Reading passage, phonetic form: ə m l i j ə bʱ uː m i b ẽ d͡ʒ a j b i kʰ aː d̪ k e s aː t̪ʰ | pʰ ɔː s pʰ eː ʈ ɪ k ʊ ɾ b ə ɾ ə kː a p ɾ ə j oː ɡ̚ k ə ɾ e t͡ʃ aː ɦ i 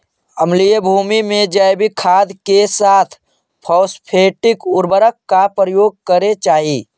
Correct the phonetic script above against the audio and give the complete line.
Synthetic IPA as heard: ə m l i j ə bʱ uː m i m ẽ d͡ʒ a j b i kʰ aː d̪ k e s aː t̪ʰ | pʰ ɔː s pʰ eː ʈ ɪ k ʊ ɾ b ə ɾ ə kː a p ɾ ə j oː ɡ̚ k ə ɾ e t͡ʃ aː ɦ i

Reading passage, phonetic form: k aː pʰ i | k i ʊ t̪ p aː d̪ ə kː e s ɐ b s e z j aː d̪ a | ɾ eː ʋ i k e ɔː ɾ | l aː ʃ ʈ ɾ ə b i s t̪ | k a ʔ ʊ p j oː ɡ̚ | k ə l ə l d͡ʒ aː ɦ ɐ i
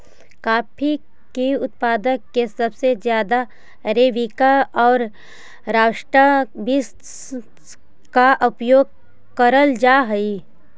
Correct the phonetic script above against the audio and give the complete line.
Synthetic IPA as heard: k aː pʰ i | k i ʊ t̪ p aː d̪ ə kː e s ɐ b s e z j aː d̪ a | ɾ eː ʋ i k a ɔː ɾ | ɾ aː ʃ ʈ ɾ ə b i s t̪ | k a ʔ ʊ p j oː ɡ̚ | k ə ɾ ə l d͡ʒ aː ɦ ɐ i

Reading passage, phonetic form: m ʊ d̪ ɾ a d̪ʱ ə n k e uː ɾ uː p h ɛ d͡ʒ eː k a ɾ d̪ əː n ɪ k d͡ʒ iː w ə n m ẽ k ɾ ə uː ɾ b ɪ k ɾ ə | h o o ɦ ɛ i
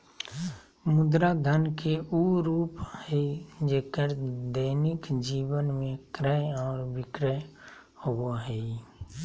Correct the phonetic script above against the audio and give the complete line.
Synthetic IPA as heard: m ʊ d̪ ɾ a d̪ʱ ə n k e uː ɾ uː p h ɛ d͡ʒ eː k ə ɾ d̪ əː n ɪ k d͡ʒ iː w ə n m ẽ k ɾ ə ɔː ɾ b ɪ k ɾ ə | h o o ɦ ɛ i

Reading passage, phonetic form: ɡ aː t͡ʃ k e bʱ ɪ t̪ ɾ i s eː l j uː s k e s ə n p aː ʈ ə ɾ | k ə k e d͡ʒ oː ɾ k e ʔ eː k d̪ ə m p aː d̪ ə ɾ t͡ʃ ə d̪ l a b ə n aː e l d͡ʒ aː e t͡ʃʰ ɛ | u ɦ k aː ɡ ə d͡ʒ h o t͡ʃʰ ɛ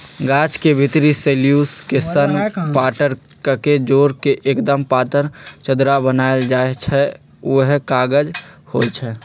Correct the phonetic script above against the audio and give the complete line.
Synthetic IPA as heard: ɡ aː t͡ʃ k e bʱ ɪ t̪ ɾ i s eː l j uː s k e s ə n p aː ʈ ə ɾ | k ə k e d͡ʒ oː ɾ k e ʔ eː k d̪ ə m p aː t̪ ə ɾ t͡ʃ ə d̪ ɾ a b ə n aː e l d͡ʒ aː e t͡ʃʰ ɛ | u ɦ k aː ɡ ə d͡ʒ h o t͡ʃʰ ɛ

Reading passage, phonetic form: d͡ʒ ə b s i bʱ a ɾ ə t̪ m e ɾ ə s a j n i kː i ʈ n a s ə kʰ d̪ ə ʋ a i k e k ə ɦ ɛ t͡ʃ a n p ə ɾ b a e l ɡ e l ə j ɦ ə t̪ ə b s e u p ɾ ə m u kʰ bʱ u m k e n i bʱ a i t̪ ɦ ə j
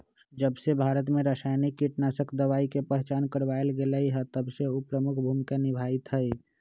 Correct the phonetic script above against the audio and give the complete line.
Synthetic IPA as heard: d͡ʒ ə b s e bʱ a ɾ ə t̪ m e ɾ ə s a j n i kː i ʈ n a s ə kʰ d̪ ə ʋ a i k e p ə ɦ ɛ t͡ʃ a n k ə ɾ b a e l ɡ e l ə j ɦ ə t̪ ə b s e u p ɾ ə m u kʰ bʱ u m k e n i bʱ a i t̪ ɦ ə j

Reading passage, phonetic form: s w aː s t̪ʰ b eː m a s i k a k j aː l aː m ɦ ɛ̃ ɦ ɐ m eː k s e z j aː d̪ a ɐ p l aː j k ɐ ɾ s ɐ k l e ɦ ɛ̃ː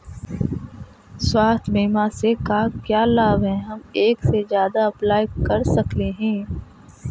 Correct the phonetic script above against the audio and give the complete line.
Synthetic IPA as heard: s w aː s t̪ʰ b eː m a s e k a k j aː l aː b ɦ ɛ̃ ɦ ɐ m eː k s e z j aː d̪ a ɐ p l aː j k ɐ ɾ s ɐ k l e ɦ ɛ̃ː

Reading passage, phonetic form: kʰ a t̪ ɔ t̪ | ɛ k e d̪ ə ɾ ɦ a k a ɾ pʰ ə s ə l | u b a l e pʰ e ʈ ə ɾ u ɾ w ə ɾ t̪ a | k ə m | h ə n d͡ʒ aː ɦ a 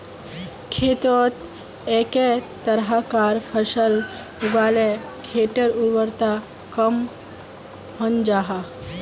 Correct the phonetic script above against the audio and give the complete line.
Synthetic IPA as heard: kʰ e t̪ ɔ t̪ | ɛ k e t̪ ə ɾ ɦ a k a ɾ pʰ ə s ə l | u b a l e kʰ e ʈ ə ɾ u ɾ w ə ɾ t̪ a | k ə m | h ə n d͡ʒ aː ɦ a

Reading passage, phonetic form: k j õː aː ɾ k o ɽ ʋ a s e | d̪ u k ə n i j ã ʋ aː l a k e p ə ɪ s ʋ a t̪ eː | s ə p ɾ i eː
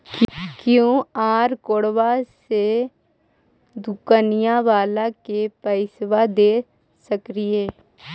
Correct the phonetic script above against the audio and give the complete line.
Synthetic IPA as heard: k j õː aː ɾ k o ɽ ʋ a s e | d̪ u k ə n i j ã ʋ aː l a k e p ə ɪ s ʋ a d̪ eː | s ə k ɾ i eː

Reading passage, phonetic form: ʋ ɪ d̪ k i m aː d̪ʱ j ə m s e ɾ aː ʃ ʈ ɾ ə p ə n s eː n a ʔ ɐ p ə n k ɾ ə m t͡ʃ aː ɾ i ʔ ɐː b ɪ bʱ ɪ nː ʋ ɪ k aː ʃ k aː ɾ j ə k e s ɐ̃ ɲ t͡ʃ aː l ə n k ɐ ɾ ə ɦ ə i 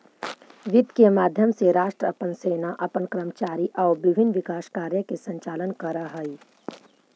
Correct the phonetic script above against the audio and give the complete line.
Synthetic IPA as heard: ʋ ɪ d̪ k e m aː d̪ʱ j ə m s e ɾ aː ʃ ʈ ɾ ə p ə n s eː n a ʔ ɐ p ə n k ɾ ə m t͡ʃ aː ɾ i ʔ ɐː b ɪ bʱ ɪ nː ʋ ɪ k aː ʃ k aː ɾ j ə k e s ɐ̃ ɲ t͡ʃ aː l ə n k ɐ ɾ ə ɦ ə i

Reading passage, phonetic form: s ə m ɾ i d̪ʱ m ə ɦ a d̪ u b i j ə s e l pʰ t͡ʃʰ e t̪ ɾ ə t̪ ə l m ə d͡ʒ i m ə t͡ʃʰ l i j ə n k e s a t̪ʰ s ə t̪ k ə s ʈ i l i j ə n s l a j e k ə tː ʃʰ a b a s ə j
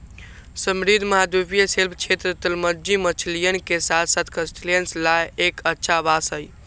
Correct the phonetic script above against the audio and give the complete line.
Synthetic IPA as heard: s ə m ɾ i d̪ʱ m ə ɦ a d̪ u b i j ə s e l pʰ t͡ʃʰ e t̪ ɾ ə t̪ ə l m ə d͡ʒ i m ə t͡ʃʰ l i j ə n k e s a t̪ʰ s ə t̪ k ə s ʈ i l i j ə n s l a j e k ə tː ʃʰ a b a s ə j

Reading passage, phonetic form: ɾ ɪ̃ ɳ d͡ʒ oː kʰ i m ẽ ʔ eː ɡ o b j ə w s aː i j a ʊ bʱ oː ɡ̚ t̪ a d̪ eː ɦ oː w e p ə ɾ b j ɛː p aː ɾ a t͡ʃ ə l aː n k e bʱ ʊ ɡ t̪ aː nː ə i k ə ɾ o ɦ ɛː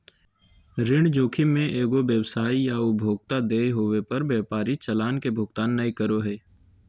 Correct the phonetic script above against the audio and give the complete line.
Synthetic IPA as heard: ɾ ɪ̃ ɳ d͡ʒ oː kʰ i m ẽ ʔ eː ɡ o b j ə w s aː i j a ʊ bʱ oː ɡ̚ t̪ a d̪ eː ɦ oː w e p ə ɾ b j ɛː p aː ɾ i t͡ʃ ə l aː n k e bʱ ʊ ɡ t̪ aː nː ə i k ə ɾ o ɦ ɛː

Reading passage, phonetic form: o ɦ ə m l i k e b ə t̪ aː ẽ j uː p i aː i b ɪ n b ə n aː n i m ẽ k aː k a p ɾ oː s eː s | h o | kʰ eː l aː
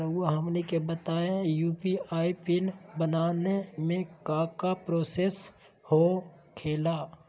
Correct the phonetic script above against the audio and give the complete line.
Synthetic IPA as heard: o ɦ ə m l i k e b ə t̪ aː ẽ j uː p i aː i p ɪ n b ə n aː n e m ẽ k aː k a p ɾ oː s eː s | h o | kʰ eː l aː

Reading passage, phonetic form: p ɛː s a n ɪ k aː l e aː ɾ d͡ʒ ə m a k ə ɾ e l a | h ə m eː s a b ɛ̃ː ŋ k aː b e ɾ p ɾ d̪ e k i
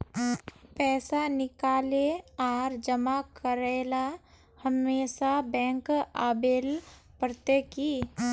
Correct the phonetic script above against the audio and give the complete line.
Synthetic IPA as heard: p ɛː s a n ɪ k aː l e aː ɾ d͡ʒ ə m a k ə ɾ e l a | h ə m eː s a b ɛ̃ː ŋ k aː b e l p ɾ t̪ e k i

